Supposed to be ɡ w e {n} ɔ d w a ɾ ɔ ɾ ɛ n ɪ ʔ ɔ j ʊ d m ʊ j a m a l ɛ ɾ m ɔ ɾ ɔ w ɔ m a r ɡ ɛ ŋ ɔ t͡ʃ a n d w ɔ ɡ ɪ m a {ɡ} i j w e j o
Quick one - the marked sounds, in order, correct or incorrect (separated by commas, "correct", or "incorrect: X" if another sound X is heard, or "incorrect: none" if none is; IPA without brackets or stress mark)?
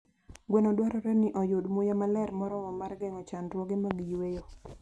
correct, correct